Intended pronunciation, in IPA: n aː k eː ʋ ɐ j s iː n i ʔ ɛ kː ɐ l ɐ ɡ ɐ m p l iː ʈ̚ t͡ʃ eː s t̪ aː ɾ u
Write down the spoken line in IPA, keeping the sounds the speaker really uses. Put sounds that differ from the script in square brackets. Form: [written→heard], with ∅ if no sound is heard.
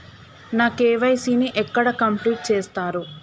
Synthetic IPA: n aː k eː ʋ ɐ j s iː n i ʔ ɛ kː ɐ [l→ɽ] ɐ [ɡ→k] ɐ m p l iː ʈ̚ t͡ʃ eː s t̪ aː ɾ u